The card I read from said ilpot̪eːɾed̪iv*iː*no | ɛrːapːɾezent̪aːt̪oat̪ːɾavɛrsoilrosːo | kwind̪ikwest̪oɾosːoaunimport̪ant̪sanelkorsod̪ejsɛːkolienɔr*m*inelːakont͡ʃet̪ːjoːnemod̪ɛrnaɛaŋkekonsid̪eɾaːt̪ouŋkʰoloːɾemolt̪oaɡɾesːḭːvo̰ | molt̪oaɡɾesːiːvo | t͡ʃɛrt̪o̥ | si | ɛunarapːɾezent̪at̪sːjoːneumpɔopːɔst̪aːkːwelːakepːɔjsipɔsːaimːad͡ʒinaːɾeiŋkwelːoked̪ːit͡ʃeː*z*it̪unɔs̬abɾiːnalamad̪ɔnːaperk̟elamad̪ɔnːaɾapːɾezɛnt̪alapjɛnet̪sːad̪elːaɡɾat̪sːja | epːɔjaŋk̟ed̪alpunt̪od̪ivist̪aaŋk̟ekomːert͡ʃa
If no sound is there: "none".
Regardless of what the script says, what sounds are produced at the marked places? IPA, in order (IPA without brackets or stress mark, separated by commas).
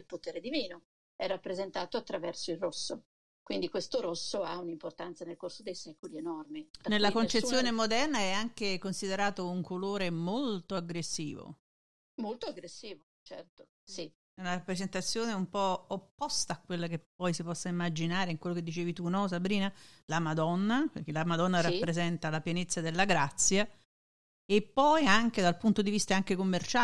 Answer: iː, m, v